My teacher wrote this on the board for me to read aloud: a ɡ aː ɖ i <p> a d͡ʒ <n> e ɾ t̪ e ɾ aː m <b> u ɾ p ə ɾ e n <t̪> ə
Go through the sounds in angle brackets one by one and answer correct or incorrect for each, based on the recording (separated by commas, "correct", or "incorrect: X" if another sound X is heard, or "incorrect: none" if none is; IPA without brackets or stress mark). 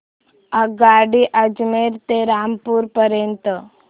incorrect: ʔ, incorrect: m, incorrect: p, correct